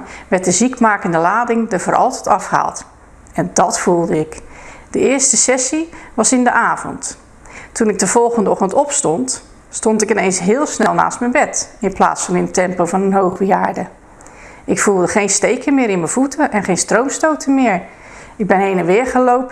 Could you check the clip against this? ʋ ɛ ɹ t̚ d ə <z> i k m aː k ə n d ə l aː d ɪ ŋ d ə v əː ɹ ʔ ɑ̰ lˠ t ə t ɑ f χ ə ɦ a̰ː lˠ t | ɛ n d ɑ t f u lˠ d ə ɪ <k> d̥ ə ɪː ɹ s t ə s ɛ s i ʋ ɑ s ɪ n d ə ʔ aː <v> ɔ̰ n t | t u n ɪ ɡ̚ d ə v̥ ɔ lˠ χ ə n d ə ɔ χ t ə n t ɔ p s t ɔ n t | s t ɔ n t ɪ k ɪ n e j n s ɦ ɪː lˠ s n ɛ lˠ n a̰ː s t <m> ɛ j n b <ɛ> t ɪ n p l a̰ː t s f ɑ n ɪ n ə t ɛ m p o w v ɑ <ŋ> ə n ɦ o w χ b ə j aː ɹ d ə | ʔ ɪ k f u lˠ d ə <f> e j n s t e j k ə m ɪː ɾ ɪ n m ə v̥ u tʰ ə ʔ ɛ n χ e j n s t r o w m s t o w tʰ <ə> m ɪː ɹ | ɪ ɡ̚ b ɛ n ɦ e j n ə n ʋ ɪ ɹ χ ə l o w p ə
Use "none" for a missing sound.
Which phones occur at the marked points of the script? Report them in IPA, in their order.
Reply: z, k, v, m, ɛ, n, χ, ə

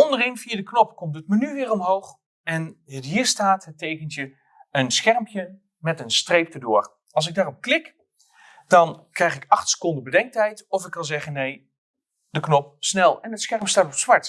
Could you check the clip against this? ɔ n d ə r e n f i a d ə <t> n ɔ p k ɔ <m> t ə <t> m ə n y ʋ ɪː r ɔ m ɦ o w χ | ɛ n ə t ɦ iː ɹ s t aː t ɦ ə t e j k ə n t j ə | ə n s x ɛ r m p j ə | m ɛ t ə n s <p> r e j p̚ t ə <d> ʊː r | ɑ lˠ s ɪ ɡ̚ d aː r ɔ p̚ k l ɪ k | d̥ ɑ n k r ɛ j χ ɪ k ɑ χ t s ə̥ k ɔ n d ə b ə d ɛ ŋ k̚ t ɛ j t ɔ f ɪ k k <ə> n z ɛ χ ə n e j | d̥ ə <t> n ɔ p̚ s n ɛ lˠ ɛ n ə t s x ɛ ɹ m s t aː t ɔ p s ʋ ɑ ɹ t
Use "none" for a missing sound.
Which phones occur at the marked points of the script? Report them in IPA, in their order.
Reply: k, m, t, t, d, ɑ, k

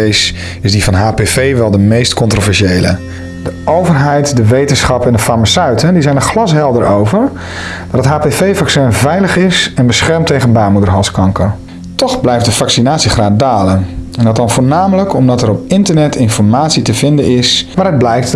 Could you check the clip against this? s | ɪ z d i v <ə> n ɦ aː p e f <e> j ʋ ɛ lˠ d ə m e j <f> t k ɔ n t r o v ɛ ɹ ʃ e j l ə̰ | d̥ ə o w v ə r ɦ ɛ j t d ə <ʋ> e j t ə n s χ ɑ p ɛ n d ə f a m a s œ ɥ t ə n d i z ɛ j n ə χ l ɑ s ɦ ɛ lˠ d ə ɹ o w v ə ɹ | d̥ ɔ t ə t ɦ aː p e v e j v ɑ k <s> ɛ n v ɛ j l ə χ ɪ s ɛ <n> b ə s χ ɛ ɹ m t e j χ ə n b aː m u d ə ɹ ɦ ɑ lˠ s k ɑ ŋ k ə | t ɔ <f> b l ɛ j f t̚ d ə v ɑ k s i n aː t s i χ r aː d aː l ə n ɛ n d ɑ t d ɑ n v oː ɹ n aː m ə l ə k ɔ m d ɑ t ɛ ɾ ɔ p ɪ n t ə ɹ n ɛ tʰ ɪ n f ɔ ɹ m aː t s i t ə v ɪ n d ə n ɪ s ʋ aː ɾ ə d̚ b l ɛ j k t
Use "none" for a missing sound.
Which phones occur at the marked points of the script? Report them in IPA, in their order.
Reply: ɑ, e, s, ʋ, s, n, χ

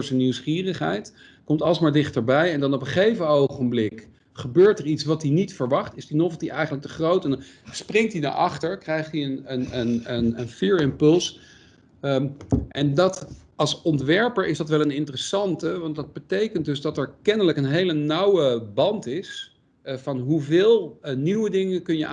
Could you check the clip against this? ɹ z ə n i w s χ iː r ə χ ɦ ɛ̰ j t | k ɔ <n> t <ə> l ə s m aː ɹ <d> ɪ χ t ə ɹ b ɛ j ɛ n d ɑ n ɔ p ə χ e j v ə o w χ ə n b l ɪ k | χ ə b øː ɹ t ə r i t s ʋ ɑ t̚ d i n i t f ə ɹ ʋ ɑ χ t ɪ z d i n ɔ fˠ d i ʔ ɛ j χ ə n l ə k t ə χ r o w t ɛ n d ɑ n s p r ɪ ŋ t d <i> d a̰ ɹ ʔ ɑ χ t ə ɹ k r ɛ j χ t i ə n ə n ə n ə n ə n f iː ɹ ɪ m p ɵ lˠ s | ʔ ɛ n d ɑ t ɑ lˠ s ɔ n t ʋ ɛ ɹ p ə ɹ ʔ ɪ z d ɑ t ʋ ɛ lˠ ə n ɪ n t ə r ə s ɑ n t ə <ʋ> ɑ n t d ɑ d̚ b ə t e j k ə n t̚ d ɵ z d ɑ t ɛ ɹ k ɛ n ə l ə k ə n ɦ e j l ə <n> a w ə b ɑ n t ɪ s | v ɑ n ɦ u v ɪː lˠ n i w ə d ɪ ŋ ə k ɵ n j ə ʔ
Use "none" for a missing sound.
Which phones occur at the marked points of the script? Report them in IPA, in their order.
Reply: m, ɑ, d, i, ʋ, n

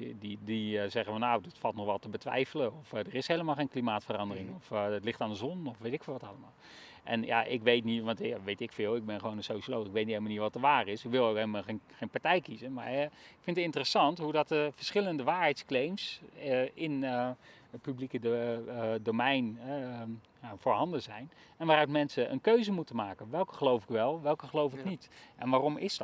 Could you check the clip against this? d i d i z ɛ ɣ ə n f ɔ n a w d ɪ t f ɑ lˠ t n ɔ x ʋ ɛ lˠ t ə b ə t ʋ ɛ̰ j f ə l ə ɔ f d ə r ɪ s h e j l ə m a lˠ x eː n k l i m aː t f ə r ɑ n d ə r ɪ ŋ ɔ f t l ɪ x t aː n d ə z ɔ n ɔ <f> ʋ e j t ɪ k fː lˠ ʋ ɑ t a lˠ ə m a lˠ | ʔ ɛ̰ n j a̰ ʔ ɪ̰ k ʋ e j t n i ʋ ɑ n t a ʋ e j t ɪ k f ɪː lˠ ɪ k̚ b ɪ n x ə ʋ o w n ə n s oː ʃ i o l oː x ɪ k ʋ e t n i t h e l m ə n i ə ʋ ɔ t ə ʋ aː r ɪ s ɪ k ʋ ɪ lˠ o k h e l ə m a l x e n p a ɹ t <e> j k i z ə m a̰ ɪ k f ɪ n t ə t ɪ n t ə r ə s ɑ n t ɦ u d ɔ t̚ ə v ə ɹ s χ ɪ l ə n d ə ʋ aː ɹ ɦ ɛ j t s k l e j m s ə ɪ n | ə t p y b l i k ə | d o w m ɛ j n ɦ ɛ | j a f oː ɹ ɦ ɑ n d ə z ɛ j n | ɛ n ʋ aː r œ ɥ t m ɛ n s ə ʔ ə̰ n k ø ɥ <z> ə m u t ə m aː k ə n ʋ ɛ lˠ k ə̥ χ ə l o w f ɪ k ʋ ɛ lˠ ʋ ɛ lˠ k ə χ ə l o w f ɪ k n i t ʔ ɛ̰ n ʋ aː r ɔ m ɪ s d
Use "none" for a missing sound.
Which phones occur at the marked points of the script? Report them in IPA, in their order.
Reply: f, ɛ, z

